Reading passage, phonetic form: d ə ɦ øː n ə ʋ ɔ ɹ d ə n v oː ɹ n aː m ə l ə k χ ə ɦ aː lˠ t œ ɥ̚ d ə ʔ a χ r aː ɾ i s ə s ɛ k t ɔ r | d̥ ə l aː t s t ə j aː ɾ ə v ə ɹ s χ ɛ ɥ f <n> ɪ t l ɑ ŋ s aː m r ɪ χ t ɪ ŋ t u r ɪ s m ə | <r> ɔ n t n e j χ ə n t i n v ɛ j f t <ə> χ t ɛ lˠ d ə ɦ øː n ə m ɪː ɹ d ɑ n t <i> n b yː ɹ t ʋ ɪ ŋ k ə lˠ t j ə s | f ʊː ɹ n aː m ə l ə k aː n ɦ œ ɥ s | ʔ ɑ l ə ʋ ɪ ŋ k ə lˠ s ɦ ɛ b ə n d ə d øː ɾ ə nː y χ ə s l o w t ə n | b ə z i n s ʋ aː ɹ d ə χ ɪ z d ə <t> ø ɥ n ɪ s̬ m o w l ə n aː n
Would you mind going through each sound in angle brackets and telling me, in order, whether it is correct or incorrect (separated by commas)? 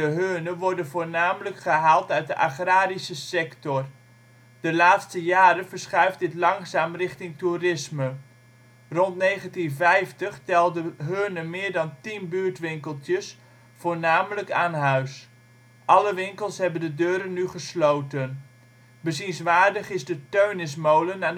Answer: incorrect, correct, correct, correct, correct